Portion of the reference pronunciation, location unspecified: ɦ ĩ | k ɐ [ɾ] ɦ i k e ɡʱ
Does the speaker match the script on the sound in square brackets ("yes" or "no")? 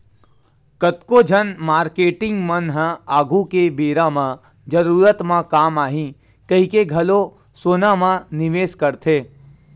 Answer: no